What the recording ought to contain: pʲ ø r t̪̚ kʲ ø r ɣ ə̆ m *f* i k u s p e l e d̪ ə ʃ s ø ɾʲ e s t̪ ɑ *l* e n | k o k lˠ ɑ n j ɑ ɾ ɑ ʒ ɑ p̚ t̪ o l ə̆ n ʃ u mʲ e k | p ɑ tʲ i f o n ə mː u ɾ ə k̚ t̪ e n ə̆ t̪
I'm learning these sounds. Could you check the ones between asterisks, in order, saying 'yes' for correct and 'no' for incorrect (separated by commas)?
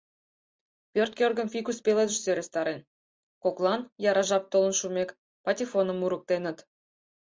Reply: yes, no